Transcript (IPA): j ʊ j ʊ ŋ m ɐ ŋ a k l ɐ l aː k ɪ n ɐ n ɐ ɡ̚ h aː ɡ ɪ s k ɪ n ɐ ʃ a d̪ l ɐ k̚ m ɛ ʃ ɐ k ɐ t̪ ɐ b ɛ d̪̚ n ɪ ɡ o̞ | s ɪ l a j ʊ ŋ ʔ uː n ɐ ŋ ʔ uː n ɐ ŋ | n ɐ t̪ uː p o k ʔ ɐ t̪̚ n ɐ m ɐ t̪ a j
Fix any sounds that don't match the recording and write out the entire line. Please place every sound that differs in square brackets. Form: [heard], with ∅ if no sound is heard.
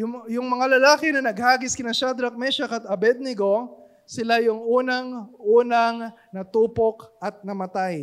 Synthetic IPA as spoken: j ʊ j ʊ ŋ m ɐ ŋ a [∅] l ɐ l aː k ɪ n ɐ n ɐ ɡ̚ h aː ɡ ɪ s k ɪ n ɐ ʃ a d̪ [ɾ] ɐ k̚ m ɛ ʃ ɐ k ɐ t̪ ɐ b ɛ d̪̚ n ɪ ɡ o̞ | s ɪ l a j ʊ ŋ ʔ uː n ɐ ŋ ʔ uː n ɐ ŋ | n ɐ t̪ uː p o k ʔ ɐ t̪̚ n ɐ m ɐ t̪ a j